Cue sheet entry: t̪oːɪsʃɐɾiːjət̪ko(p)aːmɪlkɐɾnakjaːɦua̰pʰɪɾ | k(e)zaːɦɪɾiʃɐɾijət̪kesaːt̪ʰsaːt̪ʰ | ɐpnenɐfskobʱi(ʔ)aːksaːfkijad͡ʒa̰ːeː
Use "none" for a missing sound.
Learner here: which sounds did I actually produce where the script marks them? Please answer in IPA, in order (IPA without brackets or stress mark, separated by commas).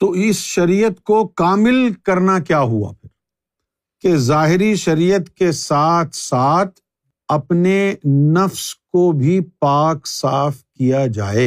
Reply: k, e, p